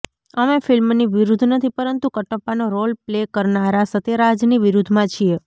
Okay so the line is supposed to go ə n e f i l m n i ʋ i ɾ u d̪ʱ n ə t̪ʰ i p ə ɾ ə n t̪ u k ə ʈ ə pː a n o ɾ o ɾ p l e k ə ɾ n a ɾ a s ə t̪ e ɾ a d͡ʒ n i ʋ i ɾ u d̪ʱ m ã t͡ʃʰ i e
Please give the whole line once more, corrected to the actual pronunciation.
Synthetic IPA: ə m e f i l m n i ʋ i ɾ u d̪ʱ n ə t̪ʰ i p ə ɾ ə n t̪ u k ə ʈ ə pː a n o ɾ o l p l e k ə ɾ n a ɾ a s ə t̪ e ɾ a d͡ʒ n i ʋ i ɾ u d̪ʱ m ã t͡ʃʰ i e

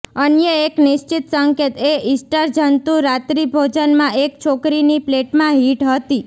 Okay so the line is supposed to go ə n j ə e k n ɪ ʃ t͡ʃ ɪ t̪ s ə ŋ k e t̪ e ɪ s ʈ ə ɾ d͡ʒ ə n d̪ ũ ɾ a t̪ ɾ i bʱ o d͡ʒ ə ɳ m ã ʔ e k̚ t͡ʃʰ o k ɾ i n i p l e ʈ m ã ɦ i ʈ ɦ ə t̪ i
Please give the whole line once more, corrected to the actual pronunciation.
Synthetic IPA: ə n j ə e k n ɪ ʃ t͡ʃ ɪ t̪ s ə ŋ k e t̪ e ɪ s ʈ ə ɾ d͡ʒ ə n t̪ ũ ɾ a t̪ ɾ i bʱ o d͡ʒ ə n m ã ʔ e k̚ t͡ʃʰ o k ɾ i n i p l e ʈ m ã ɦ i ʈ ɦ ə t̪ i

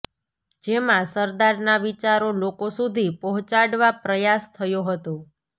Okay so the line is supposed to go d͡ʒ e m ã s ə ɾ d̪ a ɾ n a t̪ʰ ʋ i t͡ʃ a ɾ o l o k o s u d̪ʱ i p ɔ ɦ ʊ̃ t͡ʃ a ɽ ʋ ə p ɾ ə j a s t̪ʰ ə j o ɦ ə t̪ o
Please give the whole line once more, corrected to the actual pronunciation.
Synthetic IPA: d͡ʒ e m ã s ə ɾ d̪ a ɾ n a ʋ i t͡ʃ a ɾ o l o k o s u d̪ʱ i p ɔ ɦ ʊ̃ t͡ʃ a ɽ ʋ a p ɾ ə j a s t̪ʰ ə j o ɦ ə t̪ o

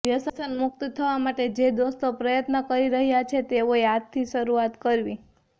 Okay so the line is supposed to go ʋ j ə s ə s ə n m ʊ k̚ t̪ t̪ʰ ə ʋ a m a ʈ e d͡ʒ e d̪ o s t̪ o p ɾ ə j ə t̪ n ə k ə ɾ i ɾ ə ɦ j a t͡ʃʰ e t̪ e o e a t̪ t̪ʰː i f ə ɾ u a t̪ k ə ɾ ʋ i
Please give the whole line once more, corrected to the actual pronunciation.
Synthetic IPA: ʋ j ə s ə s ə n m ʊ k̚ t̪ t̪ʰ ə ʋ a m a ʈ e d͡ʒ e d̪ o s t̪ o p ɾ ə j ə t̪ n ə k ə ɾ i ɾ ə ɦ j a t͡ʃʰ e t̪ e o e a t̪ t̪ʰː i ʃ ə ɾ u a t̪ k ə ɾ ʋ i

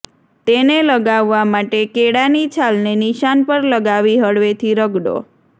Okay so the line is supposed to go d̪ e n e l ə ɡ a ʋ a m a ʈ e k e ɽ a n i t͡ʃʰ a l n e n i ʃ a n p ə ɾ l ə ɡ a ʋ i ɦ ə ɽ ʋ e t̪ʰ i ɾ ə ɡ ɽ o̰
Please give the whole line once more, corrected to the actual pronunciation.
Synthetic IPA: t̪ e n e l ə ɡ a ʋː a m a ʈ e k e ɽ a n i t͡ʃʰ a l n e n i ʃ a n p ə ɾ l ə ɡ a ʋ i ɦ ə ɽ ʋ e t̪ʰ i ɾ ə ɡ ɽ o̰

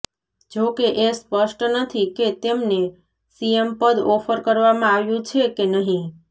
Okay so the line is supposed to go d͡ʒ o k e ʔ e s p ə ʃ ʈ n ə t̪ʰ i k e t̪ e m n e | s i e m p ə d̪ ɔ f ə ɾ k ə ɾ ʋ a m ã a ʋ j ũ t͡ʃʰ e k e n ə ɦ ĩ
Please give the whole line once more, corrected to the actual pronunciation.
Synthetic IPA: d͡ʒ o k e ʔ e s p ə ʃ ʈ n ə t̪ʰ i k e t̪ e m n e | s i e m p ə d̪ ɔ f ə ɾ k ə ɾ ʋ a m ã a ʋ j ũ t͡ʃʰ e k e n ə ɦ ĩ

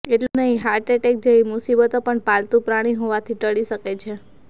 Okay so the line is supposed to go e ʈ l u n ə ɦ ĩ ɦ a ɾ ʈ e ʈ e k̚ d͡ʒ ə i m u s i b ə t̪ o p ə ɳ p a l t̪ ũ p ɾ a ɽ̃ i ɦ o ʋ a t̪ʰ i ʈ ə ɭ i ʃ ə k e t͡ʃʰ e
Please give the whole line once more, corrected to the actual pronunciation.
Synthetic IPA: e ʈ l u n ə ɦ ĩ ɦ a ɾ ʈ e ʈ e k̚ d͡ʒ ə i m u s i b ə t̪ o p ə ɳ p a l t̪ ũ p ɾ a ɽ̃ i ɦ o ʋ a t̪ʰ i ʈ ə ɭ i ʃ ə k e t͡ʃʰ e

